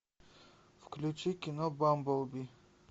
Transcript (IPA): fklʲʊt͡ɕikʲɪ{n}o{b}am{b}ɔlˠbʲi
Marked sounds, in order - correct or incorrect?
correct, correct, correct

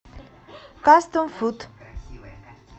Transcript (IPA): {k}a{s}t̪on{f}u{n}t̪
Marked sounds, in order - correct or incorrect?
correct, correct, correct, incorrect: none

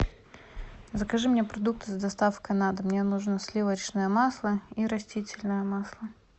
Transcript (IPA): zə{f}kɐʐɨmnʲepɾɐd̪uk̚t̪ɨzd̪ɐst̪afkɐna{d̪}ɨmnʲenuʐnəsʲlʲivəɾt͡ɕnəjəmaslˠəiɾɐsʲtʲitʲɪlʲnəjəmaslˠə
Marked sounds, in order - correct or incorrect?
incorrect: none, correct

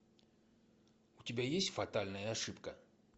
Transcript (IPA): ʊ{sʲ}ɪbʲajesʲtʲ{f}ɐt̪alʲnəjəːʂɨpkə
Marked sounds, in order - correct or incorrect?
incorrect: tʲ, correct

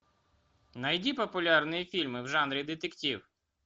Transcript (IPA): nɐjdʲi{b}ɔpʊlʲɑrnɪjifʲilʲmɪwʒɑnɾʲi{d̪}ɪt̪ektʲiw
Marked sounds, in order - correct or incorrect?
incorrect: p, correct

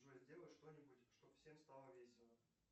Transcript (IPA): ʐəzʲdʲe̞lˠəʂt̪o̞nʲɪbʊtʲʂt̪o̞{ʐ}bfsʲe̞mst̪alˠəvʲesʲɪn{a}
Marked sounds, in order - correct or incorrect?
incorrect: none, incorrect: ə

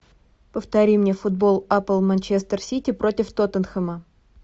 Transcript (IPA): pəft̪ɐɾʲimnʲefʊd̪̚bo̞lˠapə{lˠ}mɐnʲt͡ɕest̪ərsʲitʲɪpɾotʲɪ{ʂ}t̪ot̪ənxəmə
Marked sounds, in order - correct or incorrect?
correct, incorrect: f

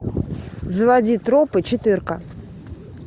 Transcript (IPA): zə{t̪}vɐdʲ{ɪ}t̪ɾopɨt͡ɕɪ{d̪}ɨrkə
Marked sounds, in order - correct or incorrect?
incorrect: none, incorrect: i, incorrect: t̪

